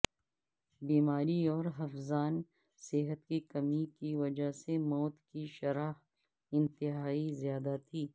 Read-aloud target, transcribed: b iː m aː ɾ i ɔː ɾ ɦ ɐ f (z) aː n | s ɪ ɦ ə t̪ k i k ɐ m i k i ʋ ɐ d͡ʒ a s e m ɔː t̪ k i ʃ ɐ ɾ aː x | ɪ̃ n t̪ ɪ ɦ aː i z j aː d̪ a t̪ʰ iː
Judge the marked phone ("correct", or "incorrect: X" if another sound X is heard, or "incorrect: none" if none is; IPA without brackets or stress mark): correct